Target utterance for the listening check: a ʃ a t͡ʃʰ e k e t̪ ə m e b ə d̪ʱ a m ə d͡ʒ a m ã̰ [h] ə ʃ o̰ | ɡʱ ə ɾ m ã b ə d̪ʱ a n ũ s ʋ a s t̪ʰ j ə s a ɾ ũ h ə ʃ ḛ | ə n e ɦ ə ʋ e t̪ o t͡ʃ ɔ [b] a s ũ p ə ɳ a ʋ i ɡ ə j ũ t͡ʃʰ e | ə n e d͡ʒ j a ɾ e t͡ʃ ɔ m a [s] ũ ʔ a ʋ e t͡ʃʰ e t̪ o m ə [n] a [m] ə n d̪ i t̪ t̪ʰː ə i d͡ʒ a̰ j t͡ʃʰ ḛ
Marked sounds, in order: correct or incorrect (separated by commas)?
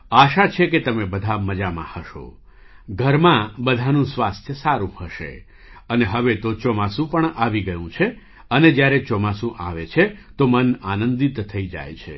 correct, incorrect, correct, correct, incorrect